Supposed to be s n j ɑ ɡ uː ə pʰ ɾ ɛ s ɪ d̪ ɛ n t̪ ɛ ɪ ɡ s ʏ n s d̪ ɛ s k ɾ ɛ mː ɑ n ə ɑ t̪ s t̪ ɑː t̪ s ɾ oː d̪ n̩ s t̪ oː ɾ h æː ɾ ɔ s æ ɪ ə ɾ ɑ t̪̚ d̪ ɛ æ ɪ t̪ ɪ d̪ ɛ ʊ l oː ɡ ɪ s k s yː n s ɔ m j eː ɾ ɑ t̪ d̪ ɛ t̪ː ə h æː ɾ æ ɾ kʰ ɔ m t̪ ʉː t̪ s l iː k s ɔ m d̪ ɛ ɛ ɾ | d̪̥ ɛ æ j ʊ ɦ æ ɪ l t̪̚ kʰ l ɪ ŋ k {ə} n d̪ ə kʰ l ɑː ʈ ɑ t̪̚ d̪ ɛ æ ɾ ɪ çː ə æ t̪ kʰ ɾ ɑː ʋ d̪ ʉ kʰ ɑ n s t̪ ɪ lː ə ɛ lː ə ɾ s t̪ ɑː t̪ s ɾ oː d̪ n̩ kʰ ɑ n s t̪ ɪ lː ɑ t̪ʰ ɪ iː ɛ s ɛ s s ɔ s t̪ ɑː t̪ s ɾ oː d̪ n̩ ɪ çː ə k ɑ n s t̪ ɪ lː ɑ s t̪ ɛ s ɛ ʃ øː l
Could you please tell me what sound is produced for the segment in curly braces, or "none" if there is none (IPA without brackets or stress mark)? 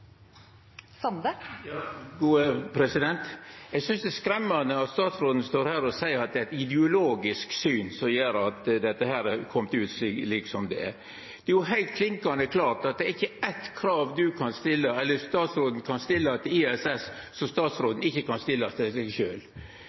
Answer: ɑ